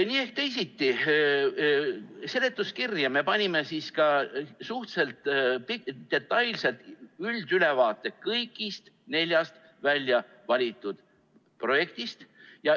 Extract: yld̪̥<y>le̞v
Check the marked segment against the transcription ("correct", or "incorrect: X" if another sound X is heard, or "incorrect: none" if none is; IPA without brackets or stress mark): correct